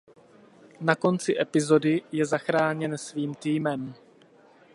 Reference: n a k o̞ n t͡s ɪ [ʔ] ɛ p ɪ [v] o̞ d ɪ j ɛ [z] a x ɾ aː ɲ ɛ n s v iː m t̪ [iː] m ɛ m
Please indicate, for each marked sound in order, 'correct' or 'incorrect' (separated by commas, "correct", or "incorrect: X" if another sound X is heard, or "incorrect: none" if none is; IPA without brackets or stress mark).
correct, incorrect: z, correct, correct